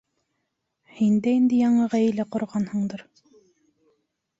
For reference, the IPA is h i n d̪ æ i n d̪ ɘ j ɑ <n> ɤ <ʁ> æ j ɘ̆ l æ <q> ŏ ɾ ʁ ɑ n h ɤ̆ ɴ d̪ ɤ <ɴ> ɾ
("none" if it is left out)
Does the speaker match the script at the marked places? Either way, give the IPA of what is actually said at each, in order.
ɴ, ʁ, q, none

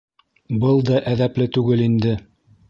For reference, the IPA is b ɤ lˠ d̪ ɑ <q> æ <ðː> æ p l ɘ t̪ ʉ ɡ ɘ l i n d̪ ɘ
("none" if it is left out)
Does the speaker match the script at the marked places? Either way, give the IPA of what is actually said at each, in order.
ʔ, ð

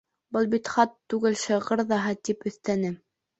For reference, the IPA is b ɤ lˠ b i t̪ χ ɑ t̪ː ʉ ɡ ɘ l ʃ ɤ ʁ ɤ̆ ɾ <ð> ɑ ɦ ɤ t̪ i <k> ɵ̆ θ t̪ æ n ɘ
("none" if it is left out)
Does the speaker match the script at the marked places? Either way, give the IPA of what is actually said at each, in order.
ð, p

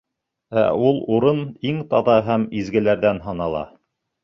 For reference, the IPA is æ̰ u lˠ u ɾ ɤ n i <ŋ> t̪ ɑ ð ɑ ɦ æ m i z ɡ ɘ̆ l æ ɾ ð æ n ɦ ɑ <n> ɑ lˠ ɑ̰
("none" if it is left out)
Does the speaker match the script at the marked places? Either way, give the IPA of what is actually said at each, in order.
ŋ, n

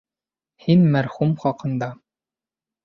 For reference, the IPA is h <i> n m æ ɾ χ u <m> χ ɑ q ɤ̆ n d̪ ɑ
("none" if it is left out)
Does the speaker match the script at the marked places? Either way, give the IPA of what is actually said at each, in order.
i, m

